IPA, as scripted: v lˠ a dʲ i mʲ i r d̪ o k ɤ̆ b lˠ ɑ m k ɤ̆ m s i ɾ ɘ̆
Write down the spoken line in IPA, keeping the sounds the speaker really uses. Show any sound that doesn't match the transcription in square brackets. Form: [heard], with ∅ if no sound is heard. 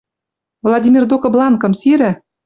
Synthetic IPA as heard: v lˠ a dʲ i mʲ i r d̪ o k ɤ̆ b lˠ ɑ [n] k ɤ̆ m s i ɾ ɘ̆